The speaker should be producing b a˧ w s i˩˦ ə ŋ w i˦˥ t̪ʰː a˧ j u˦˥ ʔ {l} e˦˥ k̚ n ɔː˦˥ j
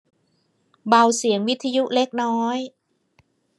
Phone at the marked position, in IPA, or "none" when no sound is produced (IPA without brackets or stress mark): l